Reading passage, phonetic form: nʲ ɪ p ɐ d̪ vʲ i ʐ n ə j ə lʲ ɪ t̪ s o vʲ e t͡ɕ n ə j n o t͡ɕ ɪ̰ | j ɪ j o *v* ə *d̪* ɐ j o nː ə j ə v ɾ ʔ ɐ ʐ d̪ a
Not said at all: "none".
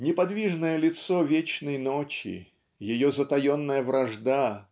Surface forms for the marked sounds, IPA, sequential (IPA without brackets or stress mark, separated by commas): z, t̪